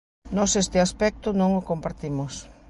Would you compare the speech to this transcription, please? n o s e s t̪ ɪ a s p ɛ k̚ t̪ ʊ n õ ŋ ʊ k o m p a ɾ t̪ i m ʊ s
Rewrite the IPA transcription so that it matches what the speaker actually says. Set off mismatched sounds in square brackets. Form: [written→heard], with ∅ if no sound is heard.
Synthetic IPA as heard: n [o→ɔ] s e s t̪ ɪ a s p ɛ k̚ t̪ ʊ n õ ŋ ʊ k o m p a ɾ t̪ i m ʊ s